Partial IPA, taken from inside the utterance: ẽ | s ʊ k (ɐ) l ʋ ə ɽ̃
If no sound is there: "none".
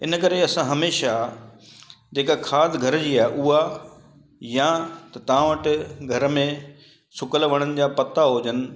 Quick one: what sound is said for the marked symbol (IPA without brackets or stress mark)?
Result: ə